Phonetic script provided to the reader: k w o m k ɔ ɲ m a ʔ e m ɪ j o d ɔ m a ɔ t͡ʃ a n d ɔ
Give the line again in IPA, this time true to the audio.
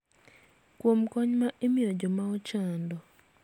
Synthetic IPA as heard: k w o m k ɔ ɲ m a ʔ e m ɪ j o d͡ʒ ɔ m a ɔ t͡ʃ a n d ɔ